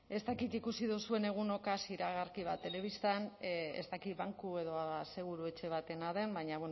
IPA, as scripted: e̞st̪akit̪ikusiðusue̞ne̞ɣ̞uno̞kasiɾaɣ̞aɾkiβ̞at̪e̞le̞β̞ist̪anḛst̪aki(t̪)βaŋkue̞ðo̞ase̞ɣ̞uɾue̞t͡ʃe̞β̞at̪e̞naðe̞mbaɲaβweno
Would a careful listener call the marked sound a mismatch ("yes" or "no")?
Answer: no